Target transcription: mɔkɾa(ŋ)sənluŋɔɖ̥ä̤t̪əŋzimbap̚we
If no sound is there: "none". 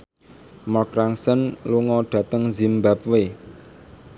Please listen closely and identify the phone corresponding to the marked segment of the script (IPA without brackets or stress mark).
ŋ